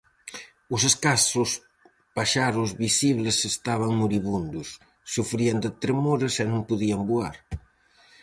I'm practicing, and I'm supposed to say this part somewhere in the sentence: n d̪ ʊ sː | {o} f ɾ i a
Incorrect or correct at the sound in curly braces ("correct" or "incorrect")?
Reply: incorrect